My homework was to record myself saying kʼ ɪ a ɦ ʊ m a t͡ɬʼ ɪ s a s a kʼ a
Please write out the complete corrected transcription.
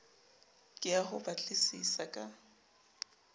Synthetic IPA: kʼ ɪ a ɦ ʊ b a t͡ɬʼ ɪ s i s a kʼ a